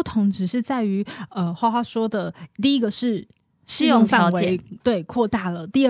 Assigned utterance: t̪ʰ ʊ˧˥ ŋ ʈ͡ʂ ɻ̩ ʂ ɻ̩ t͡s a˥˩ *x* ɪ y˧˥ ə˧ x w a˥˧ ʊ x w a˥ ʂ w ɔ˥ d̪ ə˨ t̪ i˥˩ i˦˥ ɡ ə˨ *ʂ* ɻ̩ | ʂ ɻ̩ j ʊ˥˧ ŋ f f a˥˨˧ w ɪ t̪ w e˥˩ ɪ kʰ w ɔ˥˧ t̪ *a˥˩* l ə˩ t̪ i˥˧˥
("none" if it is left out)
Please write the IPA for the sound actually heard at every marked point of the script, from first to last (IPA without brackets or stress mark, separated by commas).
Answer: none, ʂ, a˥˩